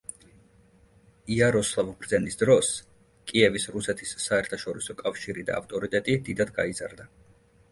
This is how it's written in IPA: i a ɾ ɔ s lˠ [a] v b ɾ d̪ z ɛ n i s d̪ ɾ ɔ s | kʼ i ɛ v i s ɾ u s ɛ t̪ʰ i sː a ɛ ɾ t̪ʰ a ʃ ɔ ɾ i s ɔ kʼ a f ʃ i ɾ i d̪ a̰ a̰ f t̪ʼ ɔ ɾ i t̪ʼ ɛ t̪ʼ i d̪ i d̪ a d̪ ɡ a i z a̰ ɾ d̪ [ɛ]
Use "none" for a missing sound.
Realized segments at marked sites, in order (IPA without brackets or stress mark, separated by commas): a, a